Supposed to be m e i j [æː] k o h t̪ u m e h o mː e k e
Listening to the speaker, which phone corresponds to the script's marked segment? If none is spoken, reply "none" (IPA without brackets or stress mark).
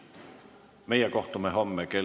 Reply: æ